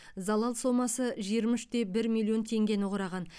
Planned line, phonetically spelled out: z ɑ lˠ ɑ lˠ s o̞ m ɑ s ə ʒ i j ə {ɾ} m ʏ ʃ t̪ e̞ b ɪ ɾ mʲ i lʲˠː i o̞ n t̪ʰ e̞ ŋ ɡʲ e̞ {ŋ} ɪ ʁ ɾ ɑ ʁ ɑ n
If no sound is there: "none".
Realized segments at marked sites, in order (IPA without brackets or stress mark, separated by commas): ɾ, n